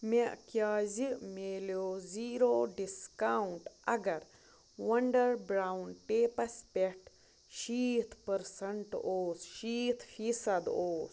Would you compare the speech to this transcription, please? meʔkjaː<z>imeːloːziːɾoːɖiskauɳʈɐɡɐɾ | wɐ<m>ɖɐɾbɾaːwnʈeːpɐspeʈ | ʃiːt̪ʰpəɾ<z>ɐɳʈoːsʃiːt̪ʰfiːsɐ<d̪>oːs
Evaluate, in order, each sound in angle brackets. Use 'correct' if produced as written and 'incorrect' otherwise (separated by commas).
correct, incorrect, incorrect, correct